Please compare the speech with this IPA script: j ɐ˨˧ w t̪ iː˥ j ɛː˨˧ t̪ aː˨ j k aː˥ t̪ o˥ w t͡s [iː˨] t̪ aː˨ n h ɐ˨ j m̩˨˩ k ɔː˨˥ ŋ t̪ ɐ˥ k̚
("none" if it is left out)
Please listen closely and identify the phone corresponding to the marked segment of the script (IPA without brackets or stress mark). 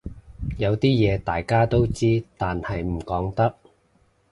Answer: iː˥